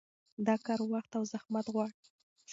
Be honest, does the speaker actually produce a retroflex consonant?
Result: yes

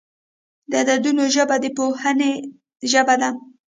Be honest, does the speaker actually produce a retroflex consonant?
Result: no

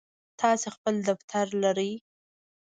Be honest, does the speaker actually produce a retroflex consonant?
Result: no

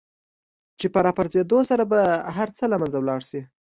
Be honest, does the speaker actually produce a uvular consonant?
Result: no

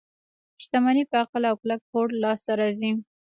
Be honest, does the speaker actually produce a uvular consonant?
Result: yes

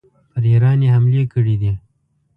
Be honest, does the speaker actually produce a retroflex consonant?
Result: yes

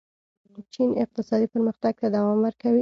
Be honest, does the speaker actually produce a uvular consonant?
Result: yes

